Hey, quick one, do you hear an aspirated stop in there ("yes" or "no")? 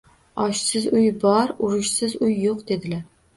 no